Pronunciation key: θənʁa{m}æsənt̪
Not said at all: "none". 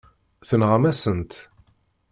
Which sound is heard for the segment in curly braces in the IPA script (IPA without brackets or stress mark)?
m